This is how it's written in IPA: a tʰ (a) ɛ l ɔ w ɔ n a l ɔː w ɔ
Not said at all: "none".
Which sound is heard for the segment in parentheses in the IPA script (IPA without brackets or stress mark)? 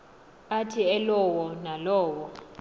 i